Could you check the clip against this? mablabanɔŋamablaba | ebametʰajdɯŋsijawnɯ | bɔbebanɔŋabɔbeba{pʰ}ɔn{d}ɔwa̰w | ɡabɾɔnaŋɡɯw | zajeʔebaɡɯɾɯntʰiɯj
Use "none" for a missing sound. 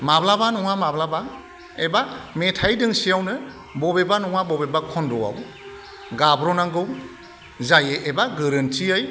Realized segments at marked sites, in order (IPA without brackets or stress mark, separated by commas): kʰ, d